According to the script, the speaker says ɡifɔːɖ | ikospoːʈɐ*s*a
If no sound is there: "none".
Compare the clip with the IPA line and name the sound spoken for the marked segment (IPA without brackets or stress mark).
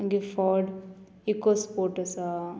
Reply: s